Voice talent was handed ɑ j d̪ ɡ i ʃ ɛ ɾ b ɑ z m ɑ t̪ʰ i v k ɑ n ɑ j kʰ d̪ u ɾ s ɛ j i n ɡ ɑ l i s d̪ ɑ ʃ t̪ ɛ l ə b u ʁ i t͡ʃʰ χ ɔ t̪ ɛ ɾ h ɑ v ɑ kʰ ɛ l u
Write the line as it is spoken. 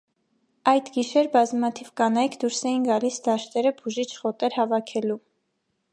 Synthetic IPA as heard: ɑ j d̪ ɡ i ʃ ɛ ɾ b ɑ z m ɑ t̪ʰ i v k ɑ n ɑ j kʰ d̪ u ɾ s ɛ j i n ɡ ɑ l i s d̪ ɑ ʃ t̪ ɛ ɾ ə b u ʒ i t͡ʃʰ χ ɔ t̪ ɛ ɾ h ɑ v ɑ kʰ ɛ l u